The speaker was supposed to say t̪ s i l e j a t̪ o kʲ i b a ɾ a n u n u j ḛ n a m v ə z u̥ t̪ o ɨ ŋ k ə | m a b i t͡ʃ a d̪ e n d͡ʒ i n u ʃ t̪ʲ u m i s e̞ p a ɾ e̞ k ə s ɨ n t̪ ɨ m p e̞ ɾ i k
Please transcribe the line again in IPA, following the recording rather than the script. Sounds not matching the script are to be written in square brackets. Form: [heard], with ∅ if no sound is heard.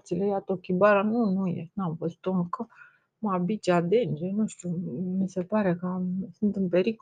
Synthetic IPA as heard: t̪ s i l e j a t̪ o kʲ i b a ɾ a n u n u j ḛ n a m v ə z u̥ t̪ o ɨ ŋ k ə | m a b i t͡ʃ a d̪ e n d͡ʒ [e] n u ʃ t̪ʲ u m i s e̞ p a ɾ e̞ k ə s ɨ n t̪ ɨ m p e̞ ɾ i k